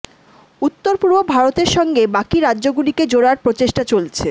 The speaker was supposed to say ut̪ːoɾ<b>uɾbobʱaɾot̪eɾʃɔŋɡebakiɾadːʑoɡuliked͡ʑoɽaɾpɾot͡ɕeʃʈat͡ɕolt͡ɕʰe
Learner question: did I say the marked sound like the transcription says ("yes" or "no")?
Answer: no